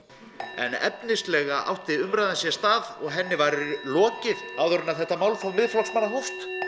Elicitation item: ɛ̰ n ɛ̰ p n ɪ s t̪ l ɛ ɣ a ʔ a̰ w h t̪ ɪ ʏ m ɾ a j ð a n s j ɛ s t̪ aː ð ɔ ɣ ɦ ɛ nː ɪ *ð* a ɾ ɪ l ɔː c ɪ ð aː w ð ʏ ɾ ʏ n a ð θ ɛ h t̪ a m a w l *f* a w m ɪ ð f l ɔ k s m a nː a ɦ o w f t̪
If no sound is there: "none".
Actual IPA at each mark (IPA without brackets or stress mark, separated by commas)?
v, f